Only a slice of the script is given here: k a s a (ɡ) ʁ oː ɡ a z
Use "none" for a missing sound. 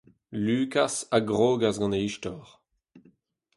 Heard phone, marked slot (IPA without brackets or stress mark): ɡ